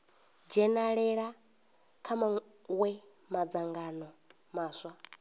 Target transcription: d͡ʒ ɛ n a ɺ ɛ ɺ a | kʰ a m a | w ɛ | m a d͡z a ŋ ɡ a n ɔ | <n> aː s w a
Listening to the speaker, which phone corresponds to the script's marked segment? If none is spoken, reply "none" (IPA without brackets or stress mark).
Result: m